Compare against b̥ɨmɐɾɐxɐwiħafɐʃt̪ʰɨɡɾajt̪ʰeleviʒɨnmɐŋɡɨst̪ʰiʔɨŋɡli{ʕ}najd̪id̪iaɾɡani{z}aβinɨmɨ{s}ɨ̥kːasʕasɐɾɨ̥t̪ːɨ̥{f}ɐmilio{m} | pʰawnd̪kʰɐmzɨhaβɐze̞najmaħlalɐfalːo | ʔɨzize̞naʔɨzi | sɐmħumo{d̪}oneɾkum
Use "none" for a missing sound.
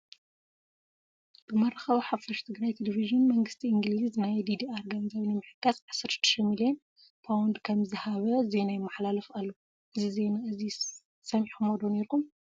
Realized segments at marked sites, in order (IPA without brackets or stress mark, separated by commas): z, z, ħ, ʃ, n, d̪